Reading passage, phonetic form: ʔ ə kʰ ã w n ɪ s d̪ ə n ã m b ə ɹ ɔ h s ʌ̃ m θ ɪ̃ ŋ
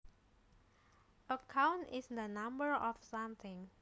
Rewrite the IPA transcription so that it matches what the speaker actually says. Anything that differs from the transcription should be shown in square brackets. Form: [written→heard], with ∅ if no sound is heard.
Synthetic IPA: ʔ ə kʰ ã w n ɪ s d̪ ə n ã m b ə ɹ ɔ [h→f] s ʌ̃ m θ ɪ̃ ŋ